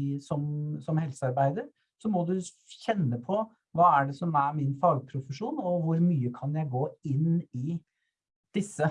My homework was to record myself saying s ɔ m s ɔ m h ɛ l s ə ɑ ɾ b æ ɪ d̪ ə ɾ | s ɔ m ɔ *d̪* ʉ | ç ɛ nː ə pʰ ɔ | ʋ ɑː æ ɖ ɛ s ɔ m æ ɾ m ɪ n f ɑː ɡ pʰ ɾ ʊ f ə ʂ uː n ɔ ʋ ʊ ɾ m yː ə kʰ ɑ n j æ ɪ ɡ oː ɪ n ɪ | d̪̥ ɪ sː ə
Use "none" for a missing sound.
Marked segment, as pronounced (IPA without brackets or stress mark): d̪